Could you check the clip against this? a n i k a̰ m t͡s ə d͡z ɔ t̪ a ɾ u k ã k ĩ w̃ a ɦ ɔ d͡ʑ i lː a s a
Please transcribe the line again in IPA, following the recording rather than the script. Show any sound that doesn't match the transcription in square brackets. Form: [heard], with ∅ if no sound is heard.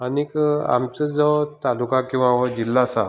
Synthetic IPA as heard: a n i k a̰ m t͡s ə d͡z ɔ t̪ a [l] u k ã k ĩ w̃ a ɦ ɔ d͡ʑ i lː a s a